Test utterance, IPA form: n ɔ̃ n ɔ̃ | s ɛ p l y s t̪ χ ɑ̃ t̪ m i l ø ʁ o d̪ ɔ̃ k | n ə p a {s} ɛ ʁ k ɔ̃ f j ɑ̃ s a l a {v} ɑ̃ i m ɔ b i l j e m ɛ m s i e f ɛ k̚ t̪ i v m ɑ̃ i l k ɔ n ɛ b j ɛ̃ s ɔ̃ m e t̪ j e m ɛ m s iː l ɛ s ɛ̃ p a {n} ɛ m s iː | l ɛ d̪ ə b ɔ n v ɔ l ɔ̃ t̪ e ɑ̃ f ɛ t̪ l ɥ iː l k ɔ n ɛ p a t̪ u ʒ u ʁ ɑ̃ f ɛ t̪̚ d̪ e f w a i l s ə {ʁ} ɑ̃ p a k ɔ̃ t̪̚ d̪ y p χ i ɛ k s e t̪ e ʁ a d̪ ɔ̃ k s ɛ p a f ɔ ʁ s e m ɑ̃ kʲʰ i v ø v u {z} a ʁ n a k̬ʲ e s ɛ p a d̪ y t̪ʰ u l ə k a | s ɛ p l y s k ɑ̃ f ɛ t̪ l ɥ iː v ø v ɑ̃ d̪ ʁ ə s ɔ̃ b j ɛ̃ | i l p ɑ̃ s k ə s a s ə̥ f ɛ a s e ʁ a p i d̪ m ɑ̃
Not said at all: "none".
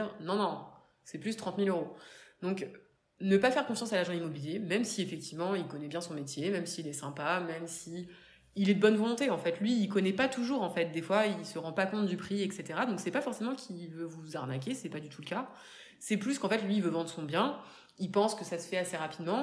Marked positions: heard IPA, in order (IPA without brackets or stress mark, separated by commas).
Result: f, ʒ, m, ʁ, z